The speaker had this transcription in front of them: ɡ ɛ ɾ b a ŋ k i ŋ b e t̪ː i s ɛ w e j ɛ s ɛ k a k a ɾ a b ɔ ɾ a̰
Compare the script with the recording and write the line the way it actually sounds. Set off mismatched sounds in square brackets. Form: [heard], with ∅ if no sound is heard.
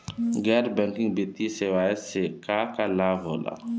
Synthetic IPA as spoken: ɡ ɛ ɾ b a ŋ k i ŋ b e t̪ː i s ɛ w [a] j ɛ s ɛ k a k a [l] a [v] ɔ [l] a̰